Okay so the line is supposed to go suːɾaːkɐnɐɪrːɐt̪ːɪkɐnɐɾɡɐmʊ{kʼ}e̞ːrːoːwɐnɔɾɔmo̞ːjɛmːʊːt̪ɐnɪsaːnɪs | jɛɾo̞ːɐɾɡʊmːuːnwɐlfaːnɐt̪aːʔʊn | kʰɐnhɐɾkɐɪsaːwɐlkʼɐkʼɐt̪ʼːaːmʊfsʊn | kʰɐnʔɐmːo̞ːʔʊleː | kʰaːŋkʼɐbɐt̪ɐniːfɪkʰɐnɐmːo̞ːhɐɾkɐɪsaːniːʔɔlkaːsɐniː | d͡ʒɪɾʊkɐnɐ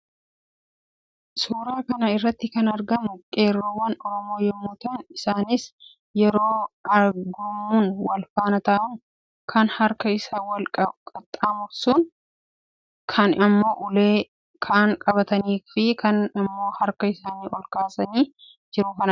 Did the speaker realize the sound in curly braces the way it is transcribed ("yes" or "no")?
yes